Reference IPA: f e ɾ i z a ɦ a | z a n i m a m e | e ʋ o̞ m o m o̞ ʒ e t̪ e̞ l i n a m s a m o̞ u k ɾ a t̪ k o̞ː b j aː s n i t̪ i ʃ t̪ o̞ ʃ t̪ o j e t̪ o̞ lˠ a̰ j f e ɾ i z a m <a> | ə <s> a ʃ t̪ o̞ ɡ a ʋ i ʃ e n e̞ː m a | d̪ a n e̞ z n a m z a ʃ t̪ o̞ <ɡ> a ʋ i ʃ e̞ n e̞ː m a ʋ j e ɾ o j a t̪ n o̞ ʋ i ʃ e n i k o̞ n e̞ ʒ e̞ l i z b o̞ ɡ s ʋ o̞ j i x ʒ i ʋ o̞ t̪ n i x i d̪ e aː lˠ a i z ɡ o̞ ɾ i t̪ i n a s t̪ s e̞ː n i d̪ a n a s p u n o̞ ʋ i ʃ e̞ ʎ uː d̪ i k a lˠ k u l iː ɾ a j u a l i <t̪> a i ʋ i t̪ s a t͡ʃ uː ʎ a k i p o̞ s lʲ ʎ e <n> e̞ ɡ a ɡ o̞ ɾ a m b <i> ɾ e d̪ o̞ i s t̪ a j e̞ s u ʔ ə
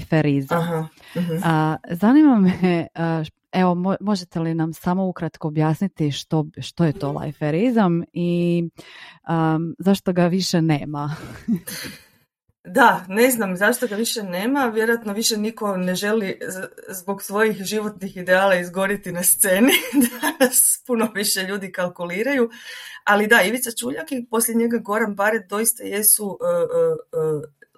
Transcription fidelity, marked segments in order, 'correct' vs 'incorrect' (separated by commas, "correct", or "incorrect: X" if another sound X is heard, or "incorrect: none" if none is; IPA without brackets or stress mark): incorrect: i, incorrect: z, correct, incorrect: d̪, incorrect: ɲ, incorrect: a